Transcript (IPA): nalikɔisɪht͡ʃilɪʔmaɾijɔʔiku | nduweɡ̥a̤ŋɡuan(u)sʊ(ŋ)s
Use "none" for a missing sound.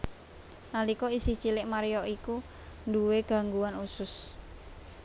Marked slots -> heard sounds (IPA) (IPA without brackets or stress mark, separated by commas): u, none